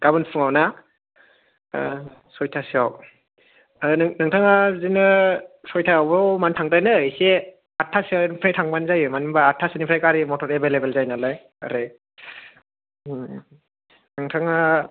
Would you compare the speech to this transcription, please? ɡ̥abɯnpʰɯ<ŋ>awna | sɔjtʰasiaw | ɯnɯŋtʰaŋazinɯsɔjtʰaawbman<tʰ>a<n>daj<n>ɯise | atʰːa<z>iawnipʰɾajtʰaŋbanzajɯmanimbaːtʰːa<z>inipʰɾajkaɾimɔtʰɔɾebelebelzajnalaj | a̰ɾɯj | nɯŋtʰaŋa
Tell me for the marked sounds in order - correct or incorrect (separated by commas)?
correct, correct, incorrect, correct, incorrect, incorrect